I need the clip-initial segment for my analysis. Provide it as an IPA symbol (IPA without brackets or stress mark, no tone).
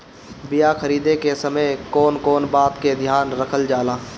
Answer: b